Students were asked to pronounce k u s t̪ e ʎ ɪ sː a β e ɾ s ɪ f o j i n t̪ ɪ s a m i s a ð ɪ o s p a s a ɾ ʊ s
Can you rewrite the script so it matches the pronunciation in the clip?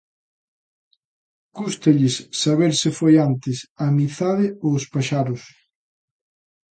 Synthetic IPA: k u s t̪ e ʎ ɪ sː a β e ɾ s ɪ f o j a n t̪ ɪ s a m i θ a ð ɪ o s p a ʃ a ɾ ʊ s

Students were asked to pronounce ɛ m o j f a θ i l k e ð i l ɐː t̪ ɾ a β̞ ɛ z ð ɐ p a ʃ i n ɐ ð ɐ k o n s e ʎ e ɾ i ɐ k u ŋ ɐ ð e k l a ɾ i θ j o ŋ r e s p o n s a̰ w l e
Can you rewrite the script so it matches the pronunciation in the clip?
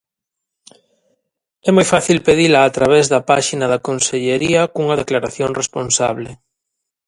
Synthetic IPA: ɛ m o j f a θ i l p e ð i l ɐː t̪ ɾ a β̞ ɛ z ð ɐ p a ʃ i n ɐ ð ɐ k o n s e ʎ e ɾ i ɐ k u ŋ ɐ ð e k l a ɾ a θ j o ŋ r e s p o n s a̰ β l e

